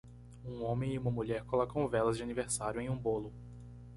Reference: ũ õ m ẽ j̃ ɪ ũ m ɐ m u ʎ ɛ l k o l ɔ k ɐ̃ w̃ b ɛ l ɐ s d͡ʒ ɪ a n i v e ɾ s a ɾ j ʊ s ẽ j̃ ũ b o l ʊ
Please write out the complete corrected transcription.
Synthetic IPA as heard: ũ õ m ẽ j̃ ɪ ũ m ɐ m u ʎ ɛ ɾ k o l ɔ k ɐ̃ w̃ v ɛ l ɐ z d͡ʒ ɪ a n i v e ɾ s a ɾ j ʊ ẽ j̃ ũ b o l ʊ